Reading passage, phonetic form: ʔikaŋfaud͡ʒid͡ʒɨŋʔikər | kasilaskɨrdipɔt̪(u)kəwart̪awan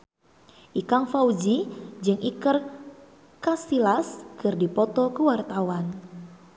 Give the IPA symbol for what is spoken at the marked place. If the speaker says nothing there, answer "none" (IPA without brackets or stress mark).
ɔ